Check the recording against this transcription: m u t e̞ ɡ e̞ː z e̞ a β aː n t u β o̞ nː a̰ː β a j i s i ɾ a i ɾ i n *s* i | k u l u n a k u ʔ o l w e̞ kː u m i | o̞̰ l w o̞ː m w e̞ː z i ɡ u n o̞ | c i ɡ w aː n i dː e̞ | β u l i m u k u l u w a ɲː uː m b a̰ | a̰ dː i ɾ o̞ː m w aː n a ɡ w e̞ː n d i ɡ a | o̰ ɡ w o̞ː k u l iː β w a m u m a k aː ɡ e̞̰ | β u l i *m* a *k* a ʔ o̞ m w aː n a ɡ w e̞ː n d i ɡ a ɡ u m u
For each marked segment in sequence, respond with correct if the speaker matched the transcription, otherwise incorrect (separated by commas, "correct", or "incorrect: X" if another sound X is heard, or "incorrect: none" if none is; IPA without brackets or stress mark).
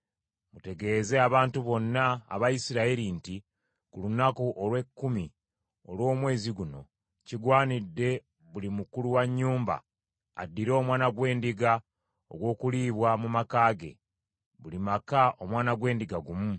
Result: incorrect: t, correct, correct